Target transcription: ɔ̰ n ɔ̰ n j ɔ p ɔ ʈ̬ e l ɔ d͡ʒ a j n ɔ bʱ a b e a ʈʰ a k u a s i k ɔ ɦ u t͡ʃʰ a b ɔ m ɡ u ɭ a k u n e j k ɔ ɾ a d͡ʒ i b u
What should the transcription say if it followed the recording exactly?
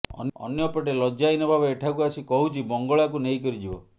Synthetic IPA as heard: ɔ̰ n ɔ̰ n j ɔ p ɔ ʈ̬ e l ɔ d͡ʒ a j n ɔ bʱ a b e e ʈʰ a k u a s i k ɔ ɦ u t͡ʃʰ i b ɔ ŋ ɡ ɔ ɭ a k u n e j k ɔ ɾ i d͡ʒ i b ɔ